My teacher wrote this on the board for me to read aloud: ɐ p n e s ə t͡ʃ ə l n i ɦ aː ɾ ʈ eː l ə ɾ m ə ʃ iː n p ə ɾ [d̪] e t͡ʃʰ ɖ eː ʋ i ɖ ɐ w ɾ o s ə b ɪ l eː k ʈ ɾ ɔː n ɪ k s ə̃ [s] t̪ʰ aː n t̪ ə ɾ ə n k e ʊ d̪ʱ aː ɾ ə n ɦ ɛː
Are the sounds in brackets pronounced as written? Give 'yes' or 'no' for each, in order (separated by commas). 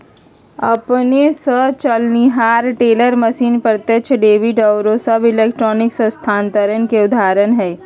no, yes